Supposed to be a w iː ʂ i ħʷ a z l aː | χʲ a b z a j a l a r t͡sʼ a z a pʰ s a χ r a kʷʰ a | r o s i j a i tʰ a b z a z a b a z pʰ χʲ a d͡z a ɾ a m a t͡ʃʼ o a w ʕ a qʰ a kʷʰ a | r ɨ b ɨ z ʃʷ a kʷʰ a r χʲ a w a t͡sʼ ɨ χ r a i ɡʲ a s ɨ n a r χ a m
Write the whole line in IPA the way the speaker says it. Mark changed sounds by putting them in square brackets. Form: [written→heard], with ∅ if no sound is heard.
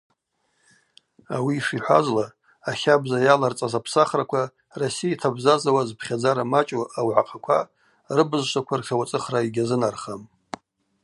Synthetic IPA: a w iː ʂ i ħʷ a z l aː | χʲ a b z a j a l a r t͡sʼ a z a pʰ s a χ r a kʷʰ a | r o s i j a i tʰ a b z a z a [b→w] a z pʰ χʲ a d͡z a ɾ a m a t͡ʃʼ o a w ʕ a qʰ a kʷʰ a | r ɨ b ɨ z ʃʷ a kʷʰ a r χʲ a w a t͡sʼ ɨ χ r a i ɡʲ a [s→z] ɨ n a r χ a m